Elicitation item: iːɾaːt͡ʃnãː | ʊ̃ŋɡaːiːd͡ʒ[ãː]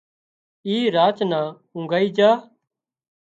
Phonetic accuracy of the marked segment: incorrect: aː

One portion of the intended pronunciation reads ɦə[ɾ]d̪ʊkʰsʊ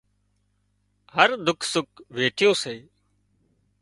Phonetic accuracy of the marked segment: correct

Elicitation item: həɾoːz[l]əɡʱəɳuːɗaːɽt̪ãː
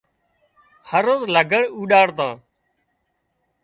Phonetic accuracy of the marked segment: correct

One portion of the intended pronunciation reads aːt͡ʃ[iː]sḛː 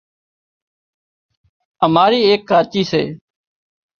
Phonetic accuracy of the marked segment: correct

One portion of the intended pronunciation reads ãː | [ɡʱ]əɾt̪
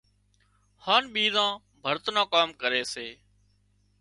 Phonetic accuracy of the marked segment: incorrect: bʱ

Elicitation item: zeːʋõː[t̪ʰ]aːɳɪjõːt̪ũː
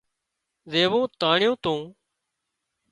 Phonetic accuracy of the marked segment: incorrect: t̪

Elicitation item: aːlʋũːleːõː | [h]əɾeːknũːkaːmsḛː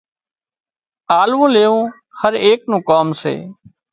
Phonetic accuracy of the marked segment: correct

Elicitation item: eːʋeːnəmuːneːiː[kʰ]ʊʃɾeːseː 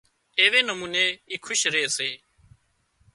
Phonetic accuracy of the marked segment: correct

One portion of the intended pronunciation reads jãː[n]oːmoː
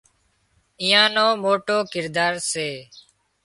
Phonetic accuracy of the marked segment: correct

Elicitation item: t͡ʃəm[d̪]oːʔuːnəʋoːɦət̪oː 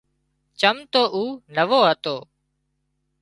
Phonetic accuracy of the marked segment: incorrect: t̪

